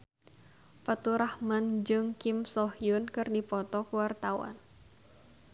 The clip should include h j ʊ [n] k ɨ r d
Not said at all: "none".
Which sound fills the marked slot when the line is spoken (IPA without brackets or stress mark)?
n